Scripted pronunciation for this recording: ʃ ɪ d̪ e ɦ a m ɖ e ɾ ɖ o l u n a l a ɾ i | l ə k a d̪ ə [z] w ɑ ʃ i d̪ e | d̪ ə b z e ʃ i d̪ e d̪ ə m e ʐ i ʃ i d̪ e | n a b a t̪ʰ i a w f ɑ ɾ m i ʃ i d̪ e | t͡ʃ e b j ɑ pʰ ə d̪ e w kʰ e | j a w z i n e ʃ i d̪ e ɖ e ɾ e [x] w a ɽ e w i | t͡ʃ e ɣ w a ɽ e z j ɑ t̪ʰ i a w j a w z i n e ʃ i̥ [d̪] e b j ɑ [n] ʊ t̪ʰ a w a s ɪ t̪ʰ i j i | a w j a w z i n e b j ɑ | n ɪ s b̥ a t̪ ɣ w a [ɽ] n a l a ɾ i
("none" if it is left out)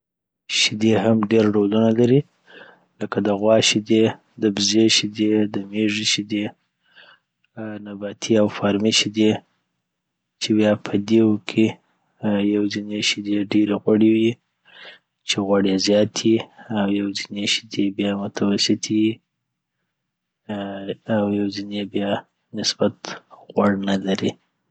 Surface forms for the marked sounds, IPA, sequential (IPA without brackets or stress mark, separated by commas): ɣ, ɣ, d̪, m, ɽ